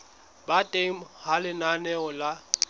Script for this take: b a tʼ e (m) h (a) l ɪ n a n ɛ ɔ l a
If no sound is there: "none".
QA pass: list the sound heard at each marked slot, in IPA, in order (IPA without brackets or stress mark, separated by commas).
m, a